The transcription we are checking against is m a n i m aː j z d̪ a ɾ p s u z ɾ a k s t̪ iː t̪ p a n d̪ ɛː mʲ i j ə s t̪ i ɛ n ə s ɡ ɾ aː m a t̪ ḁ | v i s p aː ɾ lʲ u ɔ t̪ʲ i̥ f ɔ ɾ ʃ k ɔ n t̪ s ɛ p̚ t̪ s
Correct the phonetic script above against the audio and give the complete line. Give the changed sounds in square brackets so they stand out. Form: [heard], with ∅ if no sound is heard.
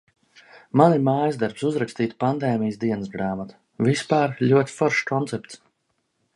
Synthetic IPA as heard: m a n i m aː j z d̪ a ɾ p s u z ɾ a k s t̪ iː t̪ p a n d̪ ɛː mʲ i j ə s [d̪] i ɛ n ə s ɡ ɾ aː m a t̪ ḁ | v i s p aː ɾ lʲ u ɔ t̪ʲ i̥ f ɔ ɾ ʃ k ɔ n t̪ s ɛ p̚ t̪ s